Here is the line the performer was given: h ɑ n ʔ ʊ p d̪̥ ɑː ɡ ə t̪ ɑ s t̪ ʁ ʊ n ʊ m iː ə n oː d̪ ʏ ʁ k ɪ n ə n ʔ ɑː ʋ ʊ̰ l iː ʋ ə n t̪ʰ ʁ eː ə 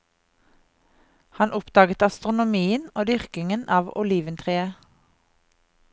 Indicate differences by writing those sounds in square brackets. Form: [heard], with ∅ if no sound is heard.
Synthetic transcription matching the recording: h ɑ n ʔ ʊ p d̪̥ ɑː ɡ ə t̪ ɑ s t̪ ʁ ʊ n ʊ m iː ə n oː d̪ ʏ ʁ k ɪ [ŋ] ə n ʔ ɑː ʋ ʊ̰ l iː ʋ ə n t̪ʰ ʁ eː ə